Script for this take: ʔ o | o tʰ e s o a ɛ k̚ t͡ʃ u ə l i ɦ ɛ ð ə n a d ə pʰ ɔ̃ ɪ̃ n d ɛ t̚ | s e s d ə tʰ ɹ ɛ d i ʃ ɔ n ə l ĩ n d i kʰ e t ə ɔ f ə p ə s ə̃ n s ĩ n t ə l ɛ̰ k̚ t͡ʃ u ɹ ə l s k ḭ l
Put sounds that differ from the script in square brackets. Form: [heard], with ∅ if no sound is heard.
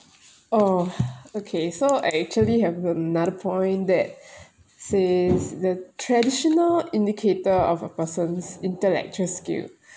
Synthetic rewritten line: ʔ o | o [kʰ] e s o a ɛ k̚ t͡ʃ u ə l i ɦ ɛ [v] ə n a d ə pʰ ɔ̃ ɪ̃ n d ɛ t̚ | s e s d ə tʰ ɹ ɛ d i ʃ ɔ n ə l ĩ n d i kʰ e t ə ɔ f ə p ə s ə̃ n s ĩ n t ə l ɛ̰ k̚ t͡ʃ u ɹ ə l s k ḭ l